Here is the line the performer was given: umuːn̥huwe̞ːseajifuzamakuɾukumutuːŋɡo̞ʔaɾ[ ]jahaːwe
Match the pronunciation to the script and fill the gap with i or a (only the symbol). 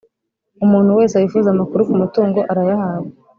a